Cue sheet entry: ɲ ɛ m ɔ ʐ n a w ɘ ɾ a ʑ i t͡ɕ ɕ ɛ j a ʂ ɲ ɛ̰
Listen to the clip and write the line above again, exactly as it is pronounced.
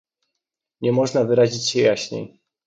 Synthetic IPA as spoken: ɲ ɛ m ɔ ʐ n a v ɘ ɾ a ʑ i t͡ɕ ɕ ɛ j a ɕ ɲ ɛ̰

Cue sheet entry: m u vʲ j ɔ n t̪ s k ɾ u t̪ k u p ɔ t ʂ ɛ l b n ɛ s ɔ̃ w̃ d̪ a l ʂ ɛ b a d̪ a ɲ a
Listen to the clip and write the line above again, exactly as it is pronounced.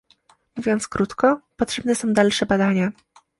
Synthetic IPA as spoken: m u vʲ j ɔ n t̪ s k ɾ u t̪ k ɔ p ɔ t ʂ ɛ b n ɛ s ɔ̃ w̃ d̪ a l ʂ ɛ b a d̪ a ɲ a

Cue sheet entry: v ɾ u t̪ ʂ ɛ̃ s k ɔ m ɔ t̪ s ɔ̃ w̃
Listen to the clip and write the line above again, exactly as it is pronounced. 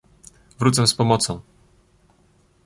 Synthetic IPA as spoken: v ɾ u t̪ s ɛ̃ s p ɔ m ɔ t̪ s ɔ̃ w̃

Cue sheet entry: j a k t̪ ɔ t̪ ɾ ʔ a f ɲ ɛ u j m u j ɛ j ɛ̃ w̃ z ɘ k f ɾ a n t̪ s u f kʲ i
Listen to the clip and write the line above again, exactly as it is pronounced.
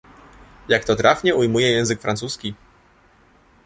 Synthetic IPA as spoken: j a k t̪ ɔ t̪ ɾ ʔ a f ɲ ɛ u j m u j ɛ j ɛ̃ w̃ z ɘ k f ɾ a n t̪ s u s kʲ i

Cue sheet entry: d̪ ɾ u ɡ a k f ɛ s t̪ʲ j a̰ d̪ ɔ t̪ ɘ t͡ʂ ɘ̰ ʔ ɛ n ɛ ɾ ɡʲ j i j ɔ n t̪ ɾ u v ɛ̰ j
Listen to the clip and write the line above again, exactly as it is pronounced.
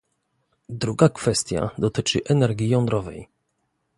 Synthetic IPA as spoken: d̪ ɾ u ɡ a k f ɛ s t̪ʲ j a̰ d̪ ɔ t̪ ɘ t͡ʂ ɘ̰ ʔ ɛ n ɛ ɾ ɡʲ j i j ɔ n d̪ ɾ ɔ v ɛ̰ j

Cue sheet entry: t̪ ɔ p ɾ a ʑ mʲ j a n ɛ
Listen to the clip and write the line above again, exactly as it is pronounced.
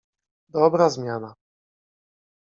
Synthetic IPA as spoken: d̪ ɔ b ɾ a z mʲ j a n a

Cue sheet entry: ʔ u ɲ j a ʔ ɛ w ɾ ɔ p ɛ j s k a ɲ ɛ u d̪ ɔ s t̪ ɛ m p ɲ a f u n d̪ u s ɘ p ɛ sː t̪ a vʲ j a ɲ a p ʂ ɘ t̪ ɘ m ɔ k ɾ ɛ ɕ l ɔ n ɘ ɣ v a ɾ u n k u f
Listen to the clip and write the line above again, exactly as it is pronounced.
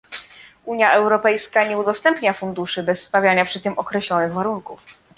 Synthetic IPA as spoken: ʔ u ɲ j a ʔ ɛ w ɾ ɔ p ɛ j s k a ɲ ɛ u d̪ ɔ s t̪ ɛ m p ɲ a f u n d̪ u ʂ ɘ b ɛ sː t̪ a vʲ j a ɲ a p ʂ ɘ t̪ ɘ m ɔ k ɾ ɛ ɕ l ɔ n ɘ ɣ v a ɾ u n k u f

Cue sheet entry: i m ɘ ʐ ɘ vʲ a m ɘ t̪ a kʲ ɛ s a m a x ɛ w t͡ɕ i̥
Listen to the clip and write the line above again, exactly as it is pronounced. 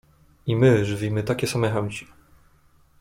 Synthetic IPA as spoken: i m ɘ ʐ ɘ vʲ i m ɘ t̪ a kʲ ɛ s a m ɛ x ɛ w t͡ɕ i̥

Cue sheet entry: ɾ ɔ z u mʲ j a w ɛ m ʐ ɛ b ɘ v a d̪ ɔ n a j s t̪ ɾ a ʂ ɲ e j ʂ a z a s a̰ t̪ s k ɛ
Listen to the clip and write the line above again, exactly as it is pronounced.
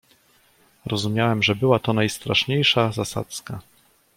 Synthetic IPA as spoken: ɾ ɔ z u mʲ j a w ɛ m ʐ ɛ b ɘ w a t̪ ɔ n a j s t̪ ɾ a ʂ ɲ e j ʂ a z a s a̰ t̪ s k a

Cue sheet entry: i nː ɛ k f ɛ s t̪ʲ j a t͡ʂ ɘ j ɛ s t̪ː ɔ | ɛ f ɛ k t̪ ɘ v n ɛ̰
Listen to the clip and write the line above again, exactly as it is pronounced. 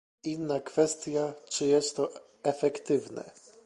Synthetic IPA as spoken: i nː a k f ɛ s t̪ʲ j a t͡ʂ ɘ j ɛ s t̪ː ɔ | ɛ f ɛ k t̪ ɘ v n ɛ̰

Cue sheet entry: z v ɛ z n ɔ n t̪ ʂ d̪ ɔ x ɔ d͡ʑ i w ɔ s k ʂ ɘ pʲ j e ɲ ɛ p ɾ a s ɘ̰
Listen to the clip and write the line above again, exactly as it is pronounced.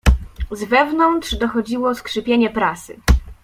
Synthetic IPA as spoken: z v ɛ v n ɔ n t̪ ʂ d̪ ɔ x ɔ d͡ʑ i w ɔ s k ʂ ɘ pʲ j e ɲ ɛ p ɾ a s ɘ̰

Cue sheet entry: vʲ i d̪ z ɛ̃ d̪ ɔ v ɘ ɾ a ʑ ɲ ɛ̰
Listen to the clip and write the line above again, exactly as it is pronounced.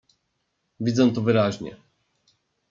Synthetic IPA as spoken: vʲ i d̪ z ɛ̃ t̪ ɔ v ɘ ɾ a ʑ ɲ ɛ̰

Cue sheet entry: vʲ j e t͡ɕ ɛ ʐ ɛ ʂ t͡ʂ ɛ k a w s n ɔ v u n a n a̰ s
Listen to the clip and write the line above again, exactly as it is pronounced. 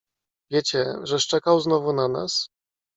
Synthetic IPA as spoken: vʲ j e t͡ɕ ɛ ʐ ɛ ʂ t͡ʂ ɛ k a w z n ɔ v u n a n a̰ s

